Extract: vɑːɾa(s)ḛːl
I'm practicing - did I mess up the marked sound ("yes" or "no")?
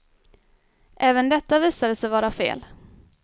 yes